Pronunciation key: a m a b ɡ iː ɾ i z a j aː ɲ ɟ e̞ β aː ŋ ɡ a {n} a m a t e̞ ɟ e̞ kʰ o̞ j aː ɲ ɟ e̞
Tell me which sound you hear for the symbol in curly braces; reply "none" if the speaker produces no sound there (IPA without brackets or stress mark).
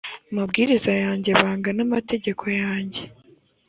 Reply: n